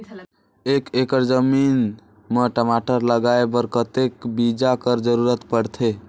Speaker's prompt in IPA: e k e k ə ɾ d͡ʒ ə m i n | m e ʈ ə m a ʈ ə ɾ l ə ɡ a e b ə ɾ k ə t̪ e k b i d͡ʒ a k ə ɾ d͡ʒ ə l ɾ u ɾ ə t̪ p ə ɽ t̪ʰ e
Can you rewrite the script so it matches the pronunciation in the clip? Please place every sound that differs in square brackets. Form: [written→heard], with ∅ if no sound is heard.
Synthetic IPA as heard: e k e k ə ɾ d͡ʒ ə m i n | m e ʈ ə m a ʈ ə ɾ l ə ɡ a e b ə ɾ k ə t̪ e k b i d͡ʒ a k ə ɾ d͡ʒ ə [l→∅] ɾ u ɾ ə t̪ p ə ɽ t̪ʰ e